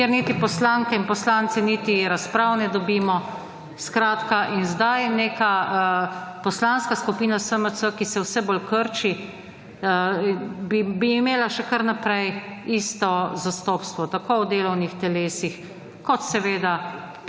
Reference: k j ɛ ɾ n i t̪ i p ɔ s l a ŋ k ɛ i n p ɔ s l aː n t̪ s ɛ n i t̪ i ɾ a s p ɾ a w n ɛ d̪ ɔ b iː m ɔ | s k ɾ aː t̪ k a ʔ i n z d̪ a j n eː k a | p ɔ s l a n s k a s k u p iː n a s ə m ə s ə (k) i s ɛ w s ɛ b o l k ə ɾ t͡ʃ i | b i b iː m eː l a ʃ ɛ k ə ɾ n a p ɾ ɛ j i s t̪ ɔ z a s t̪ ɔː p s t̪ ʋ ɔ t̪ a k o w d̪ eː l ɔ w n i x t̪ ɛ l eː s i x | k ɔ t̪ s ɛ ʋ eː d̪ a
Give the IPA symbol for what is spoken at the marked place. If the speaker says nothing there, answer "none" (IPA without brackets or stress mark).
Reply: k